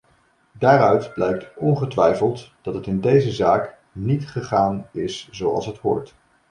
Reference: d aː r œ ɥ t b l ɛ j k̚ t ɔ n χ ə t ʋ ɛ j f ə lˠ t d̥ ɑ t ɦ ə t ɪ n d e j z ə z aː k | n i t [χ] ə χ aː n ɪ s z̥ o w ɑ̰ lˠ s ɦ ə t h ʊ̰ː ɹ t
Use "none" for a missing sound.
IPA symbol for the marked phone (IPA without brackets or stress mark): χ